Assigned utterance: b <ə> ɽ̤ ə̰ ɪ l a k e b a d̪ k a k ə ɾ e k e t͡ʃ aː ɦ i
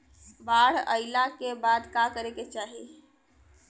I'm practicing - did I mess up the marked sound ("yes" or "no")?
yes